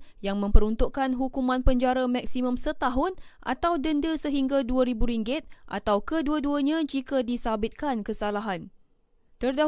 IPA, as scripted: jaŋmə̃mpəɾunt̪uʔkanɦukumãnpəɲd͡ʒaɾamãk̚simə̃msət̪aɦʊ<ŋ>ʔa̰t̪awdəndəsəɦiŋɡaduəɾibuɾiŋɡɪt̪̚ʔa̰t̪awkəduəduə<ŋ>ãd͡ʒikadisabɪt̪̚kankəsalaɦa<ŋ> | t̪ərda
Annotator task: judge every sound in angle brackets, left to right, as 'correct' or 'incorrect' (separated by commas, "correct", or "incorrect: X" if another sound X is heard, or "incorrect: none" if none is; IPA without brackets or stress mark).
incorrect: n, incorrect: ɲ, incorrect: n